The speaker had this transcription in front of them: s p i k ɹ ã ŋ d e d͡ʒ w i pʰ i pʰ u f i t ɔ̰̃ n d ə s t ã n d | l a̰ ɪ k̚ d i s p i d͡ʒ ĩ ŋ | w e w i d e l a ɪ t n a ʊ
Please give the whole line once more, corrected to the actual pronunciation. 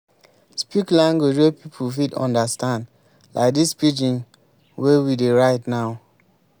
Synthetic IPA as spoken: s p i k l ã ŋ ɡ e d͡ʒ w e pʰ i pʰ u f i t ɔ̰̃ n d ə s t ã n d | l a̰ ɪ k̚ d i s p i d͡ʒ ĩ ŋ | w e w i d e ɹ a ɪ t n a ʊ